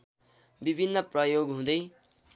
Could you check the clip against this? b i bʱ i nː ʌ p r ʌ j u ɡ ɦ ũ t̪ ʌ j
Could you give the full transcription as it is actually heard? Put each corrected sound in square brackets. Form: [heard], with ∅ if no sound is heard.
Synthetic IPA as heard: b i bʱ i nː ʌ p r ʌ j [o] ɡ ɦ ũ [d̪] ʌ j

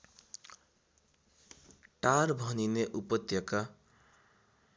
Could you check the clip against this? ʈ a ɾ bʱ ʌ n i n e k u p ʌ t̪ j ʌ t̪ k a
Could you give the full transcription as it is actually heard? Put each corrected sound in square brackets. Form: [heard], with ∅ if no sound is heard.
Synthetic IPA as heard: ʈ a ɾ bʱ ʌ n i n e [ʔ] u p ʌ t̪ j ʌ [∅] k a

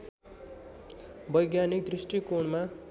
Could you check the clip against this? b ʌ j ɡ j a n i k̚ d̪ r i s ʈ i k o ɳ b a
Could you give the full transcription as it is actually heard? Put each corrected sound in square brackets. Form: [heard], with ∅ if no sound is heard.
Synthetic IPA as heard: b ʌ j ɡ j a n i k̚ d̪ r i s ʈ i k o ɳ [m] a

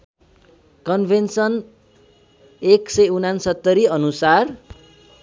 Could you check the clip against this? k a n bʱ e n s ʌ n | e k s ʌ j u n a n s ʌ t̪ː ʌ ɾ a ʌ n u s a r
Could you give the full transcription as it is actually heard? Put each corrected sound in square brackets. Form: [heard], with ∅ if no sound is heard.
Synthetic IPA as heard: k [ʌ] n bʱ e n s ʌ n | e k s ʌ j u n a n s ʌ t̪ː ʌ ɾ [i] ʌ n u s a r

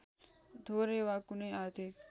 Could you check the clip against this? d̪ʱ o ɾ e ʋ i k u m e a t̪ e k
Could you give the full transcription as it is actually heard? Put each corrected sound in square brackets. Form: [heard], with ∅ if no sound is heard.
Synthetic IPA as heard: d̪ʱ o ɾ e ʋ [a] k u [n] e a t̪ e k

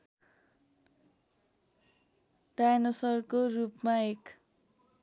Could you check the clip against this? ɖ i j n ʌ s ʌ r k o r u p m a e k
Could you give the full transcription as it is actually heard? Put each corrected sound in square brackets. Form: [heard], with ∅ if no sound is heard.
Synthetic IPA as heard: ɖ [a] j n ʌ s ʌ r k o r u p m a e k

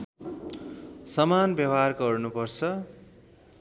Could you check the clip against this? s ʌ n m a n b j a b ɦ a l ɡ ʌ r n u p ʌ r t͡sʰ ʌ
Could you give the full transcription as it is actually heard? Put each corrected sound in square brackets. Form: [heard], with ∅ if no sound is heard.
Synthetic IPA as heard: s ʌ [∅] m a n b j [ʌ] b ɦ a [r] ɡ ʌ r n u p ʌ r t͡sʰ ʌ

